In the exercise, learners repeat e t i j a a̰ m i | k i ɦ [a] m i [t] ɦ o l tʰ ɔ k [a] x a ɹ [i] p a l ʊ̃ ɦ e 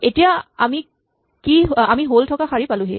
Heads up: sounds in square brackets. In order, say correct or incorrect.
correct, incorrect: none, correct, correct

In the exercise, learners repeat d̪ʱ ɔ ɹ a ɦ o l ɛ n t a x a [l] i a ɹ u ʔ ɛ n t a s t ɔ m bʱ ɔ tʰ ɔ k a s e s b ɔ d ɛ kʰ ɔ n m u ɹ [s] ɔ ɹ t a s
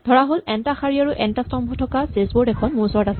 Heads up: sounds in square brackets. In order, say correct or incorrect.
incorrect: ɹ, correct

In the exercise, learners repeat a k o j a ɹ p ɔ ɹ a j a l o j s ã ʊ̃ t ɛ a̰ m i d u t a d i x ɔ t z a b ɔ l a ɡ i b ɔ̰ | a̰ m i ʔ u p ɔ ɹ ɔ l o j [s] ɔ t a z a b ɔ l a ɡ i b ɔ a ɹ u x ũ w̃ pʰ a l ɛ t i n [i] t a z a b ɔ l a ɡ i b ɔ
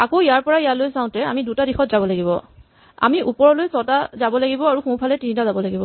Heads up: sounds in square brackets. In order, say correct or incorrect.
correct, correct

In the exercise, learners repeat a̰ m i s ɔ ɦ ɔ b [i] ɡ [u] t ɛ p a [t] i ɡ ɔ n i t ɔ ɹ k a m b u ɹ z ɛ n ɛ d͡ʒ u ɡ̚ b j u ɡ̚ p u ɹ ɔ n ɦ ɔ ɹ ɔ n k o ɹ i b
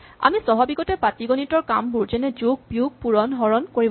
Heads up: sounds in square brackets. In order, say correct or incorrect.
correct, incorrect: ɔ, correct

